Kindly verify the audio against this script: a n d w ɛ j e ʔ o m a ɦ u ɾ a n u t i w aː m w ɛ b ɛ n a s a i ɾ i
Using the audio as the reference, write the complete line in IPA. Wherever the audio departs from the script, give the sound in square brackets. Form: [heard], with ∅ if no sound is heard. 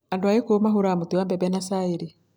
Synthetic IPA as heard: a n d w [a] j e [k] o m a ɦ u ɾ a [m] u t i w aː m [b] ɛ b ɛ n a s a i ɾ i